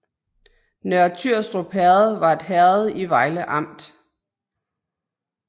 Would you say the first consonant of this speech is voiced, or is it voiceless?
voiced